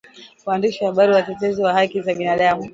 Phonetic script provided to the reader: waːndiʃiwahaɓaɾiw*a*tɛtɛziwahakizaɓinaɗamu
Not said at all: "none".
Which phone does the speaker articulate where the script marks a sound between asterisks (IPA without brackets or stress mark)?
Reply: a